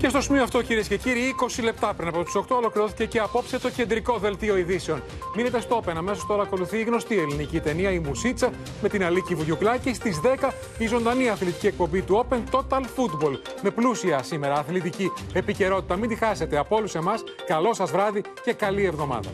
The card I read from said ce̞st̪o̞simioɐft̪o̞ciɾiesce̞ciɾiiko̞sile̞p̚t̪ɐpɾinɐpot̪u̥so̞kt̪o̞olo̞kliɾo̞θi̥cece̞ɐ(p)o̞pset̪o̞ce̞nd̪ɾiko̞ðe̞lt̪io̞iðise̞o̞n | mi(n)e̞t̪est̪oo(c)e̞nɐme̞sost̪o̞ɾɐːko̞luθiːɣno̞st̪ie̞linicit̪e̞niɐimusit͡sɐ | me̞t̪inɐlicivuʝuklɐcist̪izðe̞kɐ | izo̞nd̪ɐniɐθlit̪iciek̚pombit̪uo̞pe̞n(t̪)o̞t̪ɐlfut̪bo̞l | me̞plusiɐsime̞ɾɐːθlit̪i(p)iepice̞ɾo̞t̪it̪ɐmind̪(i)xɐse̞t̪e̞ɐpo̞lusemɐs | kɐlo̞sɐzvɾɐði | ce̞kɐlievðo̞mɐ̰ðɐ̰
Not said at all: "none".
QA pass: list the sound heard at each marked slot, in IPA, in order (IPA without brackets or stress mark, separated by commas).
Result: p, n, p, t̪, c, i